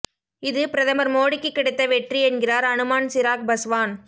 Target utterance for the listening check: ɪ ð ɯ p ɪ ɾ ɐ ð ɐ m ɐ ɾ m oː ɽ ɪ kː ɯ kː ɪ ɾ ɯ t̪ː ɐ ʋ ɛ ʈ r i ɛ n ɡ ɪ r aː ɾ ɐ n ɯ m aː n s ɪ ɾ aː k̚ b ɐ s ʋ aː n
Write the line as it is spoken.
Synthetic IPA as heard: ɪ ð ɯ p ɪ ɾ ɐ ð ɐ m ɐ ɾ m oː ɽ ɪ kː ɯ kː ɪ ɽ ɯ t̪ː ɐ ʋ ɛ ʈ r i ɛ n ɡ ɪ r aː ɾ ɐ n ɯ m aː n s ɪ ɾ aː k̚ b ɐ s ʋ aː n